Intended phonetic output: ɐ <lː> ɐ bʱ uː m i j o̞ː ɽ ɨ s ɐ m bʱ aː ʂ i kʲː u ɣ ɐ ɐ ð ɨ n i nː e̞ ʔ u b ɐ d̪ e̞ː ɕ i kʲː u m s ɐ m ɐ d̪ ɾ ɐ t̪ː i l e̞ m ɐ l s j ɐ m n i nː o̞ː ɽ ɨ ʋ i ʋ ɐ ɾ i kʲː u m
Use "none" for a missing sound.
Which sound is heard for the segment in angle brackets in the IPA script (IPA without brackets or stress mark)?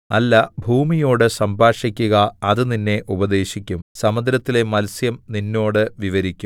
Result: lː